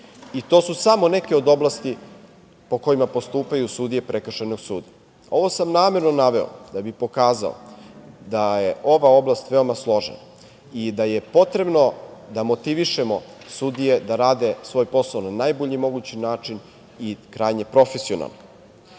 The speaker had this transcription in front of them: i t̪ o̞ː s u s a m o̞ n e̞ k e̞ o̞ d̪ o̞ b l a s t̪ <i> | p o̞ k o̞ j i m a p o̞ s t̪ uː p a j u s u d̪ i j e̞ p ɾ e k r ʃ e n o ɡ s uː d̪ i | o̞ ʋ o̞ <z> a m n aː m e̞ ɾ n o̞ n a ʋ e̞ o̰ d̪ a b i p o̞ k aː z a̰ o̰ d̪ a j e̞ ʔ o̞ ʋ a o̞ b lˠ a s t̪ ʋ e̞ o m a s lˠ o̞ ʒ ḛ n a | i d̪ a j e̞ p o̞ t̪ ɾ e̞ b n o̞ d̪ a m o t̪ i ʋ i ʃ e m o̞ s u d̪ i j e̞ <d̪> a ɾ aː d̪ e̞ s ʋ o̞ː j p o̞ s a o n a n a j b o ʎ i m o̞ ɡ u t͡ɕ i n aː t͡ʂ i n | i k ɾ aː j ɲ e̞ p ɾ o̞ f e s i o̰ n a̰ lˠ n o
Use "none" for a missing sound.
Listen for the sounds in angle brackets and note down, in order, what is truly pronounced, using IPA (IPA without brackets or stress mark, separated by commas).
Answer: i, s, d̪